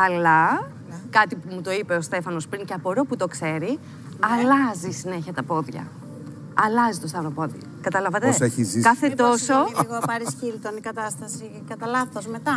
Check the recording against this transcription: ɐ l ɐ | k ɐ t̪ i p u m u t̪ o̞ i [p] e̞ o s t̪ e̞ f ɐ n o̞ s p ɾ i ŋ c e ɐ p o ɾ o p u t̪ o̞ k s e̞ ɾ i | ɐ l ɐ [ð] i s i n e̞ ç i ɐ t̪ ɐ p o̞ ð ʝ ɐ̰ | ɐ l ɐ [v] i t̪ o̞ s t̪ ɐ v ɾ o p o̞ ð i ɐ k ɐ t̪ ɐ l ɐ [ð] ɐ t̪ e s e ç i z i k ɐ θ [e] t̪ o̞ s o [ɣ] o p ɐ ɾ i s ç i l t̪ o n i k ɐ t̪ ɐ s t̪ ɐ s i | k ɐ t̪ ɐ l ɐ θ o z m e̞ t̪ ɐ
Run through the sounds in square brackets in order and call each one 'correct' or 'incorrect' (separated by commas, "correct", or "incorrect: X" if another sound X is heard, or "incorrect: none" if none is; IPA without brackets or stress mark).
correct, incorrect: z, incorrect: z, incorrect: v, correct, correct